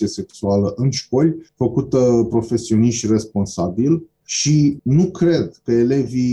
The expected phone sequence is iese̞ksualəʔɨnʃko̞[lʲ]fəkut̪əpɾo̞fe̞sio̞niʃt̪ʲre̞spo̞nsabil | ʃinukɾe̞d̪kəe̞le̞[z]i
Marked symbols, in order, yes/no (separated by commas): yes, no